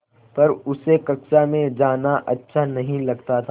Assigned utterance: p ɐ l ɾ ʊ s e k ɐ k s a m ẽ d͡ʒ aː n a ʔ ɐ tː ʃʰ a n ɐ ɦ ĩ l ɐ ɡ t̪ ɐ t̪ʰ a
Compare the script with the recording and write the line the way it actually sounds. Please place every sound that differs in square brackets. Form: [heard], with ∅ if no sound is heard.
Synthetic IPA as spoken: p ɐ [∅] ɾ ʊ s e k ɐ k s a m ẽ d͡ʒ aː n a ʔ ɐ tː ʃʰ a n ɐ ɦ ĩ l ɐ ɡ t̪ [a] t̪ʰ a